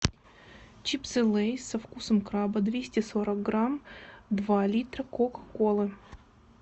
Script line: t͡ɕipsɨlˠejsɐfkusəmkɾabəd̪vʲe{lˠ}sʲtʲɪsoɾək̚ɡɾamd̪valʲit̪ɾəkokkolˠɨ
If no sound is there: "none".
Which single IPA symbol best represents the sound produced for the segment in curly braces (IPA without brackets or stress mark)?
none